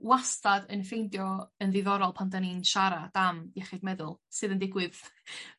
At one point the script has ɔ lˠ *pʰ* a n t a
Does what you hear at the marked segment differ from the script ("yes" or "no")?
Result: no